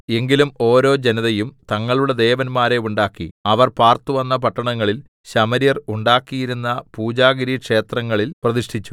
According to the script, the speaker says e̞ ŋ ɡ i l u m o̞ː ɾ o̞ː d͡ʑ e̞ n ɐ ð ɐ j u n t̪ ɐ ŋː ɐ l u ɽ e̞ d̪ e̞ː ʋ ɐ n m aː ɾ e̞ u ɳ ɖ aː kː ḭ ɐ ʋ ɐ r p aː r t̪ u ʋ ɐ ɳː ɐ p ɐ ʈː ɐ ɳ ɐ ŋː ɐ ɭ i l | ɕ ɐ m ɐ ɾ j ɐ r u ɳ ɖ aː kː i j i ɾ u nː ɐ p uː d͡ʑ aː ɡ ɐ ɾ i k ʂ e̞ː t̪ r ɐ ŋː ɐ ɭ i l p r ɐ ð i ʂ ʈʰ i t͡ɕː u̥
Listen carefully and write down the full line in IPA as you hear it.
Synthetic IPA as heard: e̞ ŋ ɡ i l u m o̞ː ɾ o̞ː d͡ʑ e̞ n ɐ ð ɐ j u m t̪ ɐ ŋː ɐ ɭ u ɽ e̞ d̪ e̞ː ʋ ɐ n m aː ɾ e̞ u ɳ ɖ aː kː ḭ ɐ ʋ ɐ r p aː r t̪ u ʋ ɐ nː ɐ p ɐ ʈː ɐ ɳ ɐ ŋː ɐ ɭ i l | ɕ ɐ m ɐ ɾ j ɐ r u ɳ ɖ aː kː i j i ɾ u nː ɐ p uː d͡ʑ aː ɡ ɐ ɾ i k ʂ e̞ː t̪ r ɐ ŋː ɐ ɭ i l p r ɐ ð i ʂ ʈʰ i t͡ɕː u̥